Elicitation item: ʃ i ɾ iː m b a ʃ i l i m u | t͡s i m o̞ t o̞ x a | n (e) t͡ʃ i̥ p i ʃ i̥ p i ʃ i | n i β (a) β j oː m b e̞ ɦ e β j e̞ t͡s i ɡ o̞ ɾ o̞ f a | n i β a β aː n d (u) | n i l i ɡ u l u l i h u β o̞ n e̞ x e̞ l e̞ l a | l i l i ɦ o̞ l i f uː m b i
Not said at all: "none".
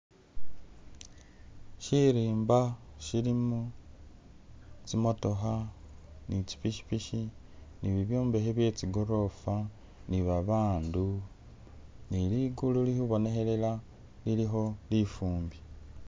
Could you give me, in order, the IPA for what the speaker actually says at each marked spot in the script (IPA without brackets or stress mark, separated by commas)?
i, i, u